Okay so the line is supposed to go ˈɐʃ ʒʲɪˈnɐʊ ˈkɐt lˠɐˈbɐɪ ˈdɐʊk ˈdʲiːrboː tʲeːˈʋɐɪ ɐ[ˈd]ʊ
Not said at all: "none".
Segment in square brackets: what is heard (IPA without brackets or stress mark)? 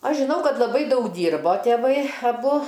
b